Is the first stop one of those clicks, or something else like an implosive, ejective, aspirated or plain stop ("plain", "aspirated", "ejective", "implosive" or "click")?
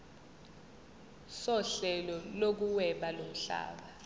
plain